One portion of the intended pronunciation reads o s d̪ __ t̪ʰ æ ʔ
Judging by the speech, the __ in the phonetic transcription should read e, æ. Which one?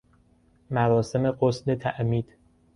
e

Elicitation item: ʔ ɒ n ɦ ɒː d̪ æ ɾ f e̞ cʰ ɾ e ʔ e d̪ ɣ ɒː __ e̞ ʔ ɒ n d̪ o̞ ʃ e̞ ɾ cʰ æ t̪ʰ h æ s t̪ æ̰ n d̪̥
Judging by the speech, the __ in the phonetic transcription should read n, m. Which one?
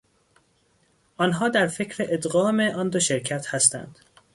m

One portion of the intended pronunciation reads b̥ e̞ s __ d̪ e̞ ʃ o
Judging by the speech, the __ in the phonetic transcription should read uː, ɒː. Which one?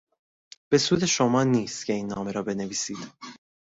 uː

